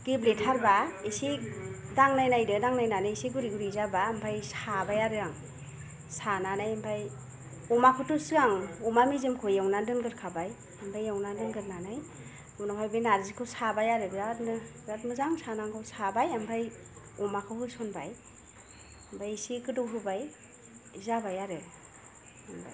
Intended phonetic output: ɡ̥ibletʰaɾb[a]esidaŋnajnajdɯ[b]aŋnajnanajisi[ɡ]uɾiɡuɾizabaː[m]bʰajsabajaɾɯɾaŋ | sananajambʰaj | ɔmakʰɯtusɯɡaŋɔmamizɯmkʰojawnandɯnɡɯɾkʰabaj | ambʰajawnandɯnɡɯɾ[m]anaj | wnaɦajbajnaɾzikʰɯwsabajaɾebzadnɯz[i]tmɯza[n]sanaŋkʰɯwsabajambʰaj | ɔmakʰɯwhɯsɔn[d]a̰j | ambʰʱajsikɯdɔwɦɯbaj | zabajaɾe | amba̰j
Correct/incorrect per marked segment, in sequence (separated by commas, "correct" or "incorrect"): correct, incorrect, correct, correct, incorrect, incorrect, incorrect, incorrect